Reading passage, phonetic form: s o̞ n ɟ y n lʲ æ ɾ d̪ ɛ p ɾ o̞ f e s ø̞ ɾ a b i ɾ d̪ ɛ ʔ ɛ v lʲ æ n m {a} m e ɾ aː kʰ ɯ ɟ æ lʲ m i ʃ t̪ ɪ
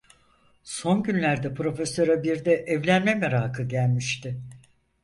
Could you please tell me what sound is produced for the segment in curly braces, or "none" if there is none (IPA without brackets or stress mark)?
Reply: ɛ